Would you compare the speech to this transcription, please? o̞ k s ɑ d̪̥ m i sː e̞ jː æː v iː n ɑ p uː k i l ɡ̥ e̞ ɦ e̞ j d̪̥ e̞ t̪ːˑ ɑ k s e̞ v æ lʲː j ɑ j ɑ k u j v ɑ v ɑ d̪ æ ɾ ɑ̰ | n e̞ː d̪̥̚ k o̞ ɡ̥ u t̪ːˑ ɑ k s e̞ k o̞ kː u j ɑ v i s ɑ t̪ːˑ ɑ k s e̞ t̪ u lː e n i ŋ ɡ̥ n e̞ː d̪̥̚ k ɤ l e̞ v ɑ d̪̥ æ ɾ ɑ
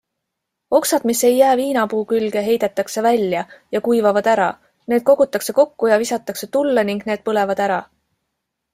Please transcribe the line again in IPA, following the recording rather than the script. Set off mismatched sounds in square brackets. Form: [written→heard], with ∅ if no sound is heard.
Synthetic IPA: o̞ k s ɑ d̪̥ m i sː e̞ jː æː v iː n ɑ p uː k [i→y] l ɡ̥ e̞ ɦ e̞ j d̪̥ e̞ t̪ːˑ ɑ k s e̞ v æ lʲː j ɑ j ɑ k u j v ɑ v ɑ d̪ æ ɾ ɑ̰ | n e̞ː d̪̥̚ k o̞ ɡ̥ u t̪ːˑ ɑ k s e̞ k o̞ kː u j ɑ v i s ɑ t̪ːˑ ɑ k s e̞ t̪ u lː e n i ŋ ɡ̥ n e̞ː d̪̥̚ [k→p] ɤ l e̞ v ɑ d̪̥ æ ɾ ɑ

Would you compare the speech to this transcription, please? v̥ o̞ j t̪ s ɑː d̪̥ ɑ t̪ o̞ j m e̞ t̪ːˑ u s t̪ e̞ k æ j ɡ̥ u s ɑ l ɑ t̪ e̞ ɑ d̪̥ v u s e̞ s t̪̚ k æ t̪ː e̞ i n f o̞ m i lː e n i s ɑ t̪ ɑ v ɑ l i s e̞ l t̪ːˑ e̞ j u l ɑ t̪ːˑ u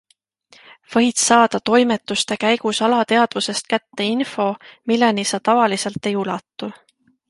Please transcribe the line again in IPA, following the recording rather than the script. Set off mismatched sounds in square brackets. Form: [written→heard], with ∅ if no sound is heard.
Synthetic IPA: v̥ [o̞→ɤ̞] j t̪ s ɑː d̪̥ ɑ t̪ o̞ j m e̞ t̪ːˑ u s t̪ e̞ k æ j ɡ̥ u s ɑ l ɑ t̪ e̞ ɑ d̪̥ v u s e̞ s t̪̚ k æ t̪ː e̞ i n f o̞ m i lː e n i s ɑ t̪ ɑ v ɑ l i s e̞ l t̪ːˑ e̞ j u l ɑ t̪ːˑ u

